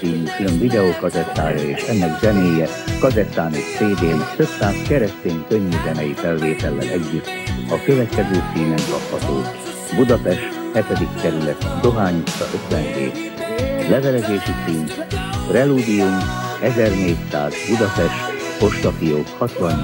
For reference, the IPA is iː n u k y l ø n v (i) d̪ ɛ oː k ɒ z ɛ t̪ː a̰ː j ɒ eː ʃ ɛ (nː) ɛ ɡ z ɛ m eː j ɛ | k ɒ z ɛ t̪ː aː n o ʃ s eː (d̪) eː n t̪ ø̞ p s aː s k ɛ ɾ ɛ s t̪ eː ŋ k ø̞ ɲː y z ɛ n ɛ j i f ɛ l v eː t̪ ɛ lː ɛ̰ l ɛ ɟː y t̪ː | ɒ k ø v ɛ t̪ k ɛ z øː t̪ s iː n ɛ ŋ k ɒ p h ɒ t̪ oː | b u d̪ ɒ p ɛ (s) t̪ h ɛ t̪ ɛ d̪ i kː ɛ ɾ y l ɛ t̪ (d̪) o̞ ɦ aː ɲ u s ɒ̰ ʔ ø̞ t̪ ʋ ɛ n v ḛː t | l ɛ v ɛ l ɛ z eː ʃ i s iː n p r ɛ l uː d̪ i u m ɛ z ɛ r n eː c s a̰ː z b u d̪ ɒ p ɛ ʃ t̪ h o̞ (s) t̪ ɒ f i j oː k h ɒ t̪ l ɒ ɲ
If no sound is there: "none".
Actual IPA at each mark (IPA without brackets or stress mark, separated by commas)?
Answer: i, nː, d̪, ʃ, d̪, ʃ